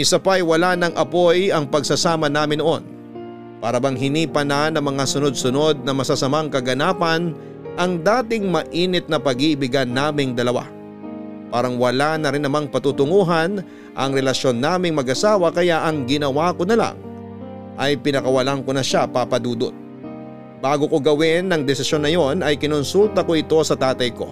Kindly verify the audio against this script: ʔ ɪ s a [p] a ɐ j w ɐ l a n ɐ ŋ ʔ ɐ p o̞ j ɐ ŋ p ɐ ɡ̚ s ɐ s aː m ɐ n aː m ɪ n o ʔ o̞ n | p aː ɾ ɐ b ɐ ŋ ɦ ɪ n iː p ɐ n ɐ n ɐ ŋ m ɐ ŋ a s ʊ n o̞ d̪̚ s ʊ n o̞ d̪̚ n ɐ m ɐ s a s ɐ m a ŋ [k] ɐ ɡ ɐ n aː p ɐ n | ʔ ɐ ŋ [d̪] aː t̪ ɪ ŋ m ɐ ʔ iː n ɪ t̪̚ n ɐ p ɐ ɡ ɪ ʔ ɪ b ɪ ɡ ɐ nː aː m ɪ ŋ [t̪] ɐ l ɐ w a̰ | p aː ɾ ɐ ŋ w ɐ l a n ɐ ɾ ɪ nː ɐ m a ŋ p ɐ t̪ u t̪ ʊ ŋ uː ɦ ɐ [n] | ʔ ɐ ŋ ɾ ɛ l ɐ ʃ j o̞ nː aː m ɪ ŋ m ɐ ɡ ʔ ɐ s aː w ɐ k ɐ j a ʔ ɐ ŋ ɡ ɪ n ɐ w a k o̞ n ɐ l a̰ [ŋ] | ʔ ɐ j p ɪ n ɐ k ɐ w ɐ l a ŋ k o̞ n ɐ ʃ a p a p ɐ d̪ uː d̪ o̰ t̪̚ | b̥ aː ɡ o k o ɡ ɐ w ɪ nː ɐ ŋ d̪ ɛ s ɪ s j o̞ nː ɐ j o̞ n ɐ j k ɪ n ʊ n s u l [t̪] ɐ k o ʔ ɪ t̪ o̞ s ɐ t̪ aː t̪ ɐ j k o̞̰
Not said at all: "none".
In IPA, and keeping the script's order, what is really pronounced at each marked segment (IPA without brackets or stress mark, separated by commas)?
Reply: p, k, d̪, d̪, n, ŋ, t̪